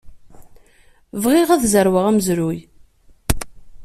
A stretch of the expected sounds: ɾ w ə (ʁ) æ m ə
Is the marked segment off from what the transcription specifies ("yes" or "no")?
no